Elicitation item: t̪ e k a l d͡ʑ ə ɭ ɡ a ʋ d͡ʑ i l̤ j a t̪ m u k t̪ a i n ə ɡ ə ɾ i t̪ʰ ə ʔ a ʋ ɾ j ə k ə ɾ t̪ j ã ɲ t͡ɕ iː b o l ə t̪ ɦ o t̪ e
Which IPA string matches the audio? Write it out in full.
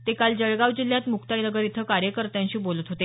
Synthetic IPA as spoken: t̪ e k a l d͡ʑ ə ɭ ɡ a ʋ d͡ʑ i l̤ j a t̪ m u k t̪ a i n ə ɡ ə ɾ i t̪ʰ ə k a ɾ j ə k ə ɾ t̪ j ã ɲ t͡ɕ iː b o l ə t̪ ɦ o t̪ e